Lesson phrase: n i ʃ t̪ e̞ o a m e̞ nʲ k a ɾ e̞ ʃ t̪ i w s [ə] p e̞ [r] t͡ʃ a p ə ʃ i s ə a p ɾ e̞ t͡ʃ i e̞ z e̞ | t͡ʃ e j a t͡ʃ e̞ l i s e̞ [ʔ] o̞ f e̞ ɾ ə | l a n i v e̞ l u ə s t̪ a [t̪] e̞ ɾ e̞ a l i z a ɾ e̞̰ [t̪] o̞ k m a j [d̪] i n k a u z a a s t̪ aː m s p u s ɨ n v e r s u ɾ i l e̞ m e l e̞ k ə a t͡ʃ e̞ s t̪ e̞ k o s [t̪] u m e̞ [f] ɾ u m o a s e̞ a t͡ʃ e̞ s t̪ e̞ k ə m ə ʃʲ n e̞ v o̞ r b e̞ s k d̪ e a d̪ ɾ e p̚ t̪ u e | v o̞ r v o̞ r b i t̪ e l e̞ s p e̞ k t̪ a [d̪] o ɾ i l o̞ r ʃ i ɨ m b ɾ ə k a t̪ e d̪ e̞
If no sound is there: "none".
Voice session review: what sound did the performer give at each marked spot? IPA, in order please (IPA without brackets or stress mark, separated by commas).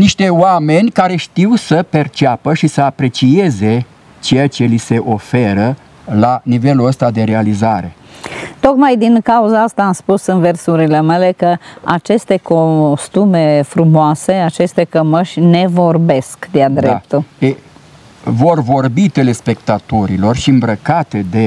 ə, r, ʔ, d̪, t̪, d̪, t̪, f, t̪